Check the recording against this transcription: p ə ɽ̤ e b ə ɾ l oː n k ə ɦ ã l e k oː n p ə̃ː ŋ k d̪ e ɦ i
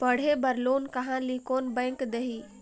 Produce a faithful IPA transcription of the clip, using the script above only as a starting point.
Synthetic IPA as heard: p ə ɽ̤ e b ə ɾ l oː n k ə ɦ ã l i k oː n b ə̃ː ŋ k d̪ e ɦ i